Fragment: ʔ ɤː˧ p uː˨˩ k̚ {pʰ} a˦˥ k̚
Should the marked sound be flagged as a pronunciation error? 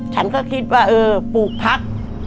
no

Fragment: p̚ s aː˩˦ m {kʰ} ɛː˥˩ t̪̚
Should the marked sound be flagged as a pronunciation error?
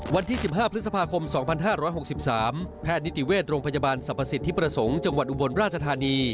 yes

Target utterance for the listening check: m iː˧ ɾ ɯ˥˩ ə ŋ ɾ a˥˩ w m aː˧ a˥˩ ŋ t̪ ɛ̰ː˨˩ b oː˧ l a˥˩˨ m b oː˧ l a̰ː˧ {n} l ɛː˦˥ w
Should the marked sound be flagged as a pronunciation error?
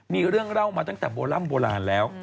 no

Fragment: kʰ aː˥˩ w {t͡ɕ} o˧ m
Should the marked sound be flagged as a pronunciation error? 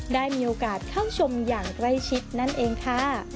yes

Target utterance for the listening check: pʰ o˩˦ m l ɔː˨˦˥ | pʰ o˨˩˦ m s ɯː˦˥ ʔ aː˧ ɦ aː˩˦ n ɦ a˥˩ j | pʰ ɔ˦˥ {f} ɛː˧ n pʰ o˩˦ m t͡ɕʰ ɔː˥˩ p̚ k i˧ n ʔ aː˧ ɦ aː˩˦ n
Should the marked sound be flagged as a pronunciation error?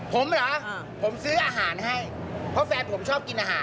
no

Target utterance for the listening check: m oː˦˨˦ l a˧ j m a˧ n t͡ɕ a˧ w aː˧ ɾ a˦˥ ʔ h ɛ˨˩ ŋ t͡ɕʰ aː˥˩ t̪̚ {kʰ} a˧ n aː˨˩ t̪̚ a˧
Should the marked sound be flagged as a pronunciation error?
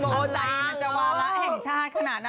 no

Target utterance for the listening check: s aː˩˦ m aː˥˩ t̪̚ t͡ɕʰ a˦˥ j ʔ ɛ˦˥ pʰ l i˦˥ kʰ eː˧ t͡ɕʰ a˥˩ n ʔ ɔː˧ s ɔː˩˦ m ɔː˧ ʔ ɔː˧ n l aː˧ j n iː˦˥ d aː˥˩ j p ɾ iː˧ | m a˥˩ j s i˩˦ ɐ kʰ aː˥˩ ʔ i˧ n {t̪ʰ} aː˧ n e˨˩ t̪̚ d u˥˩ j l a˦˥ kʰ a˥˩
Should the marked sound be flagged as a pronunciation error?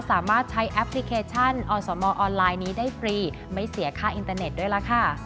yes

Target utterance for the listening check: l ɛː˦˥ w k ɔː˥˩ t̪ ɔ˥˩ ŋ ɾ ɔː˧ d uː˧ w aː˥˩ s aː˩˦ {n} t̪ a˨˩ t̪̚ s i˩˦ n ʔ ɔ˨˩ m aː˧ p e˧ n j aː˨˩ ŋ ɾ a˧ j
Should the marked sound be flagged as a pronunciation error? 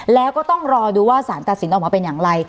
no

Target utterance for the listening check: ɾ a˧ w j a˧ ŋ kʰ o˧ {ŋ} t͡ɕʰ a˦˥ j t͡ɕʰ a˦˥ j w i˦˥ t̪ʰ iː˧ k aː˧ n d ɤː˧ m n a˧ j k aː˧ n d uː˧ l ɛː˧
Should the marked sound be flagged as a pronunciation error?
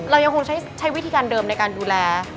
no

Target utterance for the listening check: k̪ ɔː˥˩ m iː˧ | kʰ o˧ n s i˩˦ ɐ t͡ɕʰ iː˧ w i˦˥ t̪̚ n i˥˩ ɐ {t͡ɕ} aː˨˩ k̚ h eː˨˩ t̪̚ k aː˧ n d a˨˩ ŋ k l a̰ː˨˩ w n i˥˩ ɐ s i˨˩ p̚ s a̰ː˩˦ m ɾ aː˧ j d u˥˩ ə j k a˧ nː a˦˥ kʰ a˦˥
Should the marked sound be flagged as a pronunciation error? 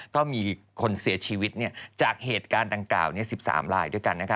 no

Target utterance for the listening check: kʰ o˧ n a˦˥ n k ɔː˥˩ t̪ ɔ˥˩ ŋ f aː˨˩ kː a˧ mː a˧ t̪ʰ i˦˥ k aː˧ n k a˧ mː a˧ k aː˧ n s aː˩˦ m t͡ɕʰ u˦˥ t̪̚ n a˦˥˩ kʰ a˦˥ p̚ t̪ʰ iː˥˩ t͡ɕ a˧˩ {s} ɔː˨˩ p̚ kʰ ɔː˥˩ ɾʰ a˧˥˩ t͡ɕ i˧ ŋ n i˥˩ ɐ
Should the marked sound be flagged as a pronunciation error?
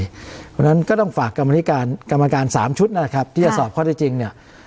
no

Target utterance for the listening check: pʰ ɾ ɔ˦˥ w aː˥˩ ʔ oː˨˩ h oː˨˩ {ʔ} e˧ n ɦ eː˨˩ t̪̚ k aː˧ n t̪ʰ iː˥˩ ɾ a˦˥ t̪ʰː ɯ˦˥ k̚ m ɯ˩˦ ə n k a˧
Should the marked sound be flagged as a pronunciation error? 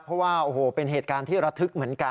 yes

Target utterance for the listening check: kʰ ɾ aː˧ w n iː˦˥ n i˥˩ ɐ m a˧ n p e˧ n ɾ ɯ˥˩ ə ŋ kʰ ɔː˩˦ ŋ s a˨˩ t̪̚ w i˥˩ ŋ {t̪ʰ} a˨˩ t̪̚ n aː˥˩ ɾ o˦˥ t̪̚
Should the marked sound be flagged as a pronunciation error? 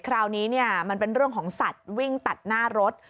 yes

